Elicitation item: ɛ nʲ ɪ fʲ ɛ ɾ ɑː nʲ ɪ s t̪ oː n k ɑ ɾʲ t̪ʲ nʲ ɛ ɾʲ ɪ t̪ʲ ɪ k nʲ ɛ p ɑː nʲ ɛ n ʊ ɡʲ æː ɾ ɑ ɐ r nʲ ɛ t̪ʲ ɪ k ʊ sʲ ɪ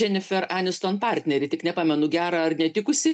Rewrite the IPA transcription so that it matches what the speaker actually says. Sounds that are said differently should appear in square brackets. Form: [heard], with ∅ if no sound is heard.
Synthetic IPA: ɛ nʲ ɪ fʲ ɛ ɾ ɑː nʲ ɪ s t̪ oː n [p] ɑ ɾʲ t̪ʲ nʲ ɛ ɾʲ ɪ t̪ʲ ɪ k nʲ ɛ p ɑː [mʲ] ɛ n ʊ ɡʲ æː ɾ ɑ ɐ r nʲ ɛ t̪ʲ ɪ k ʊ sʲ ɪ